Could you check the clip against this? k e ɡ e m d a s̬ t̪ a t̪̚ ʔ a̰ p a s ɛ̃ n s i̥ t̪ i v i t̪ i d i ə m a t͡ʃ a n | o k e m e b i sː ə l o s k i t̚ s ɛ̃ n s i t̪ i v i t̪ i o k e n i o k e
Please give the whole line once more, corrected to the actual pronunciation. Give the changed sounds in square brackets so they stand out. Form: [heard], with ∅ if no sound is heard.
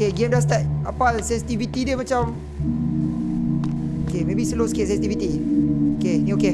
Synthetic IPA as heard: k e ɡ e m d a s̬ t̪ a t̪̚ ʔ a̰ p a s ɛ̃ n s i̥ t̪ i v i t̪ i d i ə m a t͡ʃ a [m] | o k e m e b i [s] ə l o s k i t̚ s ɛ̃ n s i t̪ i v i t̪ i o k e n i o k e